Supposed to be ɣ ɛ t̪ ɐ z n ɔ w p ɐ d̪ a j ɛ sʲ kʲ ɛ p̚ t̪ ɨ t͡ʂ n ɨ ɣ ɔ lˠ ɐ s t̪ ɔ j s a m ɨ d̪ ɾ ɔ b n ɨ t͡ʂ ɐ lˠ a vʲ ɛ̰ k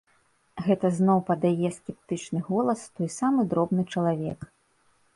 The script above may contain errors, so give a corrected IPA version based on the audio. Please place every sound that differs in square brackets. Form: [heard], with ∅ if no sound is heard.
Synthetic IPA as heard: ɣ ɛ t̪ ɐ z n ɔ w p ɐ d̪ a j ɛ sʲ kʲ ɛ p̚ t̪ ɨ t͡ʂ n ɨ ɣ ɔ lˠ ɐ s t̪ ɔ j s a m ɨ d̪ ɾ ɔ b n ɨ t͡ʂ ɐ lˠ a vʲ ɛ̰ k